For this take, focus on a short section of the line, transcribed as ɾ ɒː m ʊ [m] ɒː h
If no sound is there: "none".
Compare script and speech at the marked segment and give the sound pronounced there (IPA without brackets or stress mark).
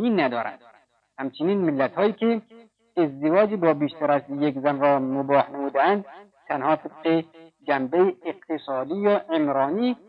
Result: b